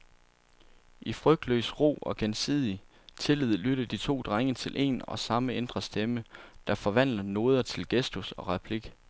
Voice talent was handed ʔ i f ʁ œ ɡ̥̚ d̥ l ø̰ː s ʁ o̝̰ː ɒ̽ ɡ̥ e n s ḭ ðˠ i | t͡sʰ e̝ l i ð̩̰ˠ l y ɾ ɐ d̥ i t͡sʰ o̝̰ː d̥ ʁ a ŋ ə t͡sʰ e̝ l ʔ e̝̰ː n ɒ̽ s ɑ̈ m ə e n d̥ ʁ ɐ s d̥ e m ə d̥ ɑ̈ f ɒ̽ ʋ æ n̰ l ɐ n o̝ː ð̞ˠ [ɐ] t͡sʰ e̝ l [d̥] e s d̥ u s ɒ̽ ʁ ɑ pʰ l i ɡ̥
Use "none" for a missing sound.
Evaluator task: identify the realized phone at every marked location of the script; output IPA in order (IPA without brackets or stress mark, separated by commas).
ɐ, ɡ̥